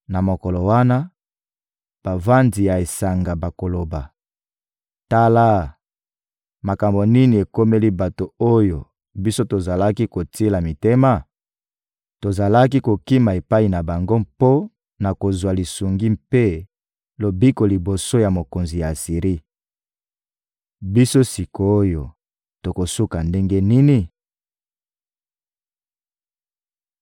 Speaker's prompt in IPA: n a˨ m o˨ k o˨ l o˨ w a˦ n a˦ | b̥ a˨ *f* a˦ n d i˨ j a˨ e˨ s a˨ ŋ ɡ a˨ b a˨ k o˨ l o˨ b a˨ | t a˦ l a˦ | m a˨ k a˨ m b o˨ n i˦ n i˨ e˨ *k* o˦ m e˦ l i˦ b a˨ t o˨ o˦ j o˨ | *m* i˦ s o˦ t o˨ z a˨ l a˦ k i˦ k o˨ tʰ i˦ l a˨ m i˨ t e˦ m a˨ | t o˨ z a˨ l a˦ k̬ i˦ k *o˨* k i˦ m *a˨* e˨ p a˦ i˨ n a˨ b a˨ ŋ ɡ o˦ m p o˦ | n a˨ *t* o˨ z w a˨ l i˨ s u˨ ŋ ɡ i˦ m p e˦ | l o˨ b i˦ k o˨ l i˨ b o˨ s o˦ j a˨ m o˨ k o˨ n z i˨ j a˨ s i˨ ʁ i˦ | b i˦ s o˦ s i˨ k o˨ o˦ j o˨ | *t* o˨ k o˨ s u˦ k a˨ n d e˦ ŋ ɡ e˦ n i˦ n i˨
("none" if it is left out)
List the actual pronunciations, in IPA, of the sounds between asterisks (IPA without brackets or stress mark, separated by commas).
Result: v, k, b, o˨, a˨, k, t